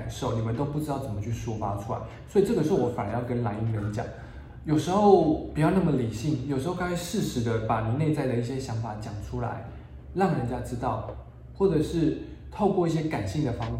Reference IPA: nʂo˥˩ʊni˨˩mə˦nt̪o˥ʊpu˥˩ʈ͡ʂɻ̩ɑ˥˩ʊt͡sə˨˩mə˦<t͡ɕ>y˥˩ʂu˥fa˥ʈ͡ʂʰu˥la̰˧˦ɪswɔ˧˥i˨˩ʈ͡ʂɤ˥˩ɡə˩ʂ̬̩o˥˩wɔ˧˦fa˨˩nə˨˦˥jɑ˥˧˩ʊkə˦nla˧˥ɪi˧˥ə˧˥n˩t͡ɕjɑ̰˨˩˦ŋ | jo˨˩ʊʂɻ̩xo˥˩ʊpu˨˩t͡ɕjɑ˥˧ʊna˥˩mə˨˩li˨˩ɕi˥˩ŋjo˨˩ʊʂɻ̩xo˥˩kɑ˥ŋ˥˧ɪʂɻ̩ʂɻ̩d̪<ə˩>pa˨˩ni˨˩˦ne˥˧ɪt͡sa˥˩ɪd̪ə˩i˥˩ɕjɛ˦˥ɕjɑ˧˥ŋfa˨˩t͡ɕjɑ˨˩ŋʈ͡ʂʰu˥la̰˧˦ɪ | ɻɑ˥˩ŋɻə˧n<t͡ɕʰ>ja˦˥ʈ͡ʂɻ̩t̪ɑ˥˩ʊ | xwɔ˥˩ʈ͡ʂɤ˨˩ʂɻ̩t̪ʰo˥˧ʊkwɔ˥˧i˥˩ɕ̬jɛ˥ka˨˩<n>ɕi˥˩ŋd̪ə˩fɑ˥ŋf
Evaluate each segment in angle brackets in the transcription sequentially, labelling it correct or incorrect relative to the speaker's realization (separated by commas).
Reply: incorrect, incorrect, incorrect, correct